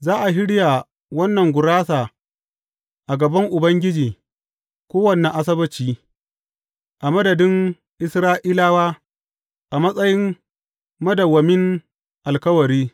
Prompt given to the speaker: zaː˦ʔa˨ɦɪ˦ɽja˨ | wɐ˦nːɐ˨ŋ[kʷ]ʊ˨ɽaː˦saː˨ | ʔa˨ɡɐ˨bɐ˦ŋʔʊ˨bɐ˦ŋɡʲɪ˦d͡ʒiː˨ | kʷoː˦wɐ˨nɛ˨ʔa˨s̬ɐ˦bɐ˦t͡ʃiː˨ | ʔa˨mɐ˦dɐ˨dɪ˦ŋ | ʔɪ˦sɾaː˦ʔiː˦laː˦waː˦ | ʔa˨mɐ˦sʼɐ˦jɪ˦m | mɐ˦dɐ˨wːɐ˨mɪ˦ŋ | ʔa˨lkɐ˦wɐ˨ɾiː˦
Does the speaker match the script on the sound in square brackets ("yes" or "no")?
no